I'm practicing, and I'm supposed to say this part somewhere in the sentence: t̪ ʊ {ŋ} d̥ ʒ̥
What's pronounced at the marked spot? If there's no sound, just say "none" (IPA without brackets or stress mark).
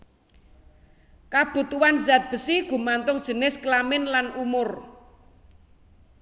ŋ